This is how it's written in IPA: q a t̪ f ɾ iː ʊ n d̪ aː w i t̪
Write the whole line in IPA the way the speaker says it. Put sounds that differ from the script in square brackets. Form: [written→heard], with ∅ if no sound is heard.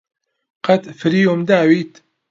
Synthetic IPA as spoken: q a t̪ f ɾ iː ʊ [n→m] d̪ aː w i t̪